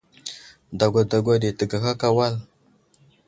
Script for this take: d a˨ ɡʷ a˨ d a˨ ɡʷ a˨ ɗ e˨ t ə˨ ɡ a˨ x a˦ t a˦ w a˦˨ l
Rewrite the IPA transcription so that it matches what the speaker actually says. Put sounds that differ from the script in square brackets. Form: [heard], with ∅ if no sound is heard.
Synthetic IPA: d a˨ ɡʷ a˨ d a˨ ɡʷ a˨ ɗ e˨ t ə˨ ɡ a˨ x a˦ [k] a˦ w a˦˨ l

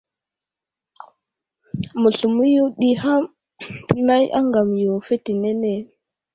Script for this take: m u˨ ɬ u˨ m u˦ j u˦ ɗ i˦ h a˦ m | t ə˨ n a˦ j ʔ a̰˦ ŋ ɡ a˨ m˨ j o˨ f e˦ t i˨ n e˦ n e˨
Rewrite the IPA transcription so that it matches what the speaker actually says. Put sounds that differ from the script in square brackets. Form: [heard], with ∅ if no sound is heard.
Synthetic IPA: m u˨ ɬ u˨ m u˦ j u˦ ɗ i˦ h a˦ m | t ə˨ n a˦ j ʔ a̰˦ ŋ ɡ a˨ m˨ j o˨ f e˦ t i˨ n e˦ n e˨

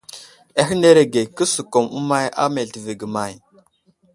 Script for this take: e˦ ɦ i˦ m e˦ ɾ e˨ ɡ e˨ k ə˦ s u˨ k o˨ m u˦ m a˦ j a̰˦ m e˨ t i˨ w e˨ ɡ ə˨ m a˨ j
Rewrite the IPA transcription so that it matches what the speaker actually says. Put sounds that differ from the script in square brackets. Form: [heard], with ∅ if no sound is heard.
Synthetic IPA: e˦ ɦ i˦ [n] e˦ ɾ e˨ ɡ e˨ k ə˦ s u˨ k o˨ m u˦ m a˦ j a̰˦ m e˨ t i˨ [v] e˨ ɡ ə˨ m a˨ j

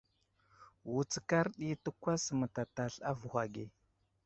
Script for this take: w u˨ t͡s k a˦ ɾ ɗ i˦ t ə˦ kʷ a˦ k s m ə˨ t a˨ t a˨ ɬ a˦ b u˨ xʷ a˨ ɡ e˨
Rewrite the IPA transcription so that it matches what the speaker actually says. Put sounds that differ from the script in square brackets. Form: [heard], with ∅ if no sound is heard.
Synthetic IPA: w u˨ t͡s k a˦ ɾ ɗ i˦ t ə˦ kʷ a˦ [∅] s m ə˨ t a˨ t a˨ ɬ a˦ [v] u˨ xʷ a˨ ɡ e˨

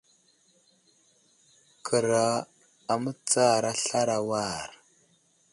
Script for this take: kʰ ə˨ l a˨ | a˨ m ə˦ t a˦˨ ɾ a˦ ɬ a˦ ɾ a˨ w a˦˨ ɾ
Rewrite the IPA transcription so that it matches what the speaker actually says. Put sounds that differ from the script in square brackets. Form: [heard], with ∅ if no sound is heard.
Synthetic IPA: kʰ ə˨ [ɾ] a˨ | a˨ m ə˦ [t͡s] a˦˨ ɾ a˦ ɬ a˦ ɾ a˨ w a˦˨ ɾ

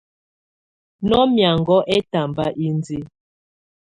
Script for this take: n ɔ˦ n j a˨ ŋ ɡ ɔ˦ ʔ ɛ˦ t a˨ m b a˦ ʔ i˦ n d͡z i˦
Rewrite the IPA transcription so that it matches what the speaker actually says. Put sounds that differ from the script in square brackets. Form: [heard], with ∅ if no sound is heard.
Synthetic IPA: n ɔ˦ [m] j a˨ ŋ ɡ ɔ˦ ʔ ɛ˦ t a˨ m b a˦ ʔ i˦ n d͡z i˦

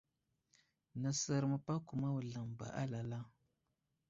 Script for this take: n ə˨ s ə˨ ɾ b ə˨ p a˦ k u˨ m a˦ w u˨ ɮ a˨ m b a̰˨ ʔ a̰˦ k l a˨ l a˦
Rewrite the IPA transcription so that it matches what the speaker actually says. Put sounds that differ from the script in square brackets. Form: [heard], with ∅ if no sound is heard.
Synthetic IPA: n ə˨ s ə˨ ɾ [m] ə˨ p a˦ k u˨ m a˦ w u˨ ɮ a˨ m b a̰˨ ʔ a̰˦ [∅] l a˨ l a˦

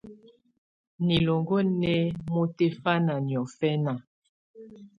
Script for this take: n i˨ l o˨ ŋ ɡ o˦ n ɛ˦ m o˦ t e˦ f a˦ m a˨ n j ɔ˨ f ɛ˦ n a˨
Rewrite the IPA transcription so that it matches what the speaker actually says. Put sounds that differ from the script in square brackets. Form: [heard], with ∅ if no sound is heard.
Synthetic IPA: n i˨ l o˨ ŋ ɡ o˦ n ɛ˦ m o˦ t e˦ f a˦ [n] a˨ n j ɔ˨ f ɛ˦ n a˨

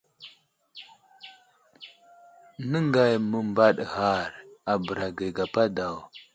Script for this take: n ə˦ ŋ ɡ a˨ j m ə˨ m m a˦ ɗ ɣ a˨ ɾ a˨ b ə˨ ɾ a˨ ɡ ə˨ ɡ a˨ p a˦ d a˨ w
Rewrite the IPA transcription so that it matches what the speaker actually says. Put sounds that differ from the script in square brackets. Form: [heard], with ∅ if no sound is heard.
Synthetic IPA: n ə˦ ŋ ɡ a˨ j m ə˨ m [b] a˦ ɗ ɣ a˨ ɾ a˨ b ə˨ ɾ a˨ ɡ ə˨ ɡ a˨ p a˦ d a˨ w

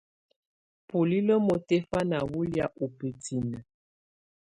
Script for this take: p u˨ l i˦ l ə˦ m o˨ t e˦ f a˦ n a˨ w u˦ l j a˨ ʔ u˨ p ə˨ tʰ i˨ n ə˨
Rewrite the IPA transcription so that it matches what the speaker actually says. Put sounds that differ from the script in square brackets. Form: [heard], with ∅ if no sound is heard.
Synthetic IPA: p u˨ l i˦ l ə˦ m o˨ t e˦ f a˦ n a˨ w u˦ l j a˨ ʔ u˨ p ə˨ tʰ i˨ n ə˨

